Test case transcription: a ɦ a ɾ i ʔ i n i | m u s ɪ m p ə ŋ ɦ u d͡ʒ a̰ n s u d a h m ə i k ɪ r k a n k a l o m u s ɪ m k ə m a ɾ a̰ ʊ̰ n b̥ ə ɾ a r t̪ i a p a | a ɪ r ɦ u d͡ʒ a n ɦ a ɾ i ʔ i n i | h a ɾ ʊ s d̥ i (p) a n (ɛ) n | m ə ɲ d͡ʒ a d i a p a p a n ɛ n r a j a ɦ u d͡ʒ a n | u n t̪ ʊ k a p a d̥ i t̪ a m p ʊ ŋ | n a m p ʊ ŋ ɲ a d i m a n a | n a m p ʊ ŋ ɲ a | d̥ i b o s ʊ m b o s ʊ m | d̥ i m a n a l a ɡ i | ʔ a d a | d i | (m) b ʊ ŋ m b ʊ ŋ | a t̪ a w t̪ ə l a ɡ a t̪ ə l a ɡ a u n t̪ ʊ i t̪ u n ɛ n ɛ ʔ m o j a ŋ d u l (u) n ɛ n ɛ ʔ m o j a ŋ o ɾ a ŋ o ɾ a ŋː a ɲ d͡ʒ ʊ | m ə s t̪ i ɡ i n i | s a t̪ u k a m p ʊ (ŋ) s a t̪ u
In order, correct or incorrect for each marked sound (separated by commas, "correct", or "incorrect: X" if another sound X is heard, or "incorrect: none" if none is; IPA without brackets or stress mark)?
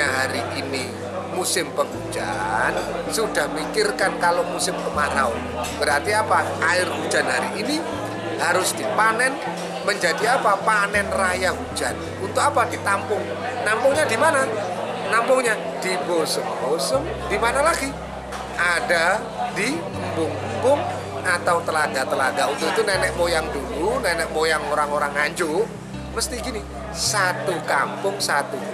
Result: correct, correct, correct, correct, correct